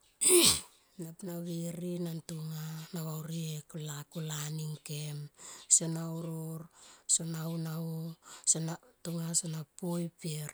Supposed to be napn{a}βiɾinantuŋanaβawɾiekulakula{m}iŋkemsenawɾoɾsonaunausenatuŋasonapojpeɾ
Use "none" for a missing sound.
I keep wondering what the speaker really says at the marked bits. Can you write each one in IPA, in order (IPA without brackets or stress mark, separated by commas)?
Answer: a, n